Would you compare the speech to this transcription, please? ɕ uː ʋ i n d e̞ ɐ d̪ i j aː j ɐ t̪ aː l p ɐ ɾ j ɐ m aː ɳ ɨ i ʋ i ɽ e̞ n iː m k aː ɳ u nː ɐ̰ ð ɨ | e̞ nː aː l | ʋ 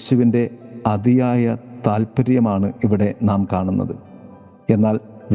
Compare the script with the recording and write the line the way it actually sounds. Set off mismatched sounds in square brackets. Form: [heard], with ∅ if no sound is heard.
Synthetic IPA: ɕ [u] ʋ i n d e̞ ɐ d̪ i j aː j ɐ t̪ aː l p ɐ ɾ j ɐ m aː ɳ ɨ i ʋ i ɽ e̞ n [aː] m k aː ɳ u nː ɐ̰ ð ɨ | e̞ nː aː l | ʋ